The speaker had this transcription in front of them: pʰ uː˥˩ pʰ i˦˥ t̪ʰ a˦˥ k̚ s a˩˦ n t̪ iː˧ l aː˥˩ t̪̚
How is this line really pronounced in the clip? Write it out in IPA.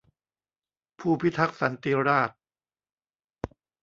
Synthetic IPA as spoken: pʰ uː˥˩ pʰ i˦˥ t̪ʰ a˦˥ k̚ s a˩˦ n t̪ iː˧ ɾ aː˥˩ t̪̚